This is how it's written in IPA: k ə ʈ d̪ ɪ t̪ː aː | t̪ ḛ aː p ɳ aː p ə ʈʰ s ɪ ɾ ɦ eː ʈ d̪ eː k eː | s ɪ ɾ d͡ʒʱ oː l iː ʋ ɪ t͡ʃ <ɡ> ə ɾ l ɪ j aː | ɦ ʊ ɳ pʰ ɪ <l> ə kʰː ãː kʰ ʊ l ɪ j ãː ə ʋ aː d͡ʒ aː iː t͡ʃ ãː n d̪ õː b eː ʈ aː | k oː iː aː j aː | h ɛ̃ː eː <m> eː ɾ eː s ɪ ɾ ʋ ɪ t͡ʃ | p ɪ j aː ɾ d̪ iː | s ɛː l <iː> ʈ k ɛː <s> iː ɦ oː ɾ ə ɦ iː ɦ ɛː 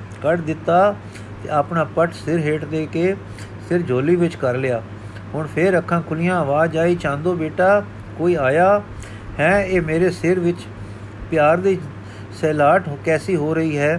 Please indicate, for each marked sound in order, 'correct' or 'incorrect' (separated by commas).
incorrect, incorrect, correct, incorrect, correct